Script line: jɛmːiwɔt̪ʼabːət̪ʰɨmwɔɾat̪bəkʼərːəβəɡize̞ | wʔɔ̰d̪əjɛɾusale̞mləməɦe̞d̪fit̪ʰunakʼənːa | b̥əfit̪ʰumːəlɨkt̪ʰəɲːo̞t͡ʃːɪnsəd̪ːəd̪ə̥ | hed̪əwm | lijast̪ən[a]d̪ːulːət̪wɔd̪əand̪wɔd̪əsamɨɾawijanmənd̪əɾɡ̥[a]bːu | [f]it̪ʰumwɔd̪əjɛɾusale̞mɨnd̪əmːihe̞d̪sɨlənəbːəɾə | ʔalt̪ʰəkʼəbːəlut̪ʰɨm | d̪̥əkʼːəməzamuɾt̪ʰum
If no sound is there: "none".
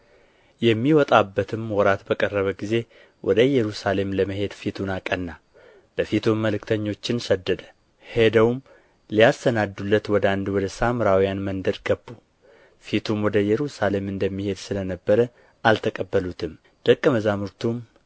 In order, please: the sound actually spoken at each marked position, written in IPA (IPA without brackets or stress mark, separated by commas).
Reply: a, ə, f